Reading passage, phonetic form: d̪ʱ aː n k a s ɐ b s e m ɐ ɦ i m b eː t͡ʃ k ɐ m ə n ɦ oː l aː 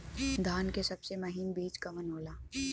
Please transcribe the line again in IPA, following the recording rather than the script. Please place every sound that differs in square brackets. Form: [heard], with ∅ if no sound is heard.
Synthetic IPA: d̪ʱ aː n k [e] s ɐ b s e m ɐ ɦ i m b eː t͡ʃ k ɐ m ə n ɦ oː l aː